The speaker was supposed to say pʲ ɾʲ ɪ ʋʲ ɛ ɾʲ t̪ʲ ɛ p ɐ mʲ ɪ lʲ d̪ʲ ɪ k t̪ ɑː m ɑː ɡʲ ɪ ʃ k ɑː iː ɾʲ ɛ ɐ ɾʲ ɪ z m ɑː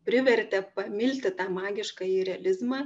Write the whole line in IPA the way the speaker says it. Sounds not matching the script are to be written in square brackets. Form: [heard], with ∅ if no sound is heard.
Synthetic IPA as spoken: pʲ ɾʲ ɪ ʋʲ ɛ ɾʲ t̪ʲ ɛ p ɐ mʲ ɪ lʲ [t̪ʲ] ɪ [∅] t̪ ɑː m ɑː ɡʲ ɪ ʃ k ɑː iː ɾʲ ɛ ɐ [lʲ] ɪ z m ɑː